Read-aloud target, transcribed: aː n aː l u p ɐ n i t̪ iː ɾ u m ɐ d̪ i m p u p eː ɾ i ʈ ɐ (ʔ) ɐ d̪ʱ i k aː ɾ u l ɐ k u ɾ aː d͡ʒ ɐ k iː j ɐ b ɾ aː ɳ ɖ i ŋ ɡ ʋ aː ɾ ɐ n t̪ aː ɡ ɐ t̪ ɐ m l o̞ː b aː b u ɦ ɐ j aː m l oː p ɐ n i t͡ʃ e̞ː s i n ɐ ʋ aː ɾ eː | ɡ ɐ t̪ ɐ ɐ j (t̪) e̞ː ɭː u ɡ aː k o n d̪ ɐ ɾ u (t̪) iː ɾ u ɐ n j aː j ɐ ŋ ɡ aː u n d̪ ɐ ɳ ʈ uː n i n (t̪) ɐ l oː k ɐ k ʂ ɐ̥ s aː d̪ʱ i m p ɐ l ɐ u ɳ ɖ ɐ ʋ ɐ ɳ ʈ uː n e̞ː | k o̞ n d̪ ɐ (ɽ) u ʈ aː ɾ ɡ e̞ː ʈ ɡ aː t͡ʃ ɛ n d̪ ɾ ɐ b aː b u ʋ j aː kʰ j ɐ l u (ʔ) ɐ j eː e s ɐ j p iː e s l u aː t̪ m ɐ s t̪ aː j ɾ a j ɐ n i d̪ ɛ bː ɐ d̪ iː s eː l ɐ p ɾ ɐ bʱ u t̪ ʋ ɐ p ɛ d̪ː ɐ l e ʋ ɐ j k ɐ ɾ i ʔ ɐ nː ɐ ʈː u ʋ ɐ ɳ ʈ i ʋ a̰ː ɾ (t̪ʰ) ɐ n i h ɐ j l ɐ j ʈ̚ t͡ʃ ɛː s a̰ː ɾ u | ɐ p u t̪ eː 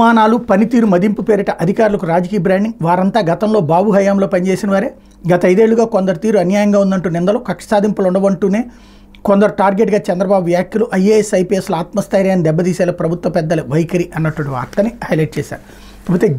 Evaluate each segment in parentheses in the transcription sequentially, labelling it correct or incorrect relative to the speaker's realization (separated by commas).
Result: correct, incorrect, correct, incorrect, incorrect, correct, incorrect